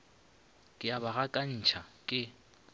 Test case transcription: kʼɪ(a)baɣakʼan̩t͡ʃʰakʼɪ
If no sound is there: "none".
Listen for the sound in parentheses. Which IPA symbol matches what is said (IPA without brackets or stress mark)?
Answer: a